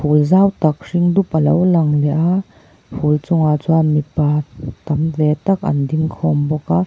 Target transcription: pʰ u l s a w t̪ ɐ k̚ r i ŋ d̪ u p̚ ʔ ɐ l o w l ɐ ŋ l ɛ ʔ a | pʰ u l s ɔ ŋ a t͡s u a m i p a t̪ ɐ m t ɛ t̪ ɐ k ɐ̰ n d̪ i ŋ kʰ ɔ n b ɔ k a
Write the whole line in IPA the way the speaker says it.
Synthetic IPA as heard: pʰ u l z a w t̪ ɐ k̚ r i ŋ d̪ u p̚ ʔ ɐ l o w l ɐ ŋ l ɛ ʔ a | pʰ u l t͡s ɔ ŋ a t͡s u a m i p a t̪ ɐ m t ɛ t̪ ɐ k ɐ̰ n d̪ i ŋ kʰ ɔ m b ɔ k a